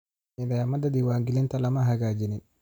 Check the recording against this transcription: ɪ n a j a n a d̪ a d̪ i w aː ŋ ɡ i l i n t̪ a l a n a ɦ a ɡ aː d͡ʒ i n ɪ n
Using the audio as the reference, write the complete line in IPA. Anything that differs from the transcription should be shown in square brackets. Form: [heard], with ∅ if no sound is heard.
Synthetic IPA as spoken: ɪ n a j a [m] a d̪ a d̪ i w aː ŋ ɡ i l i n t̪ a l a [m] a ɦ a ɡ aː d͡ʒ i n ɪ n